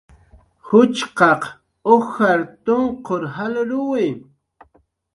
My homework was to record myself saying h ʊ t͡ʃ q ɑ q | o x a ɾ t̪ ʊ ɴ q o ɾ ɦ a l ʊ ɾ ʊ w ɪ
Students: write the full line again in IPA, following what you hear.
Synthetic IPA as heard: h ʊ t͡ʃ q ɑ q | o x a ɾ t̪ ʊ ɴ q o ɾ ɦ a l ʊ ɾ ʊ w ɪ